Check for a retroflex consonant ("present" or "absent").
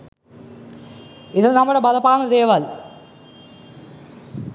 present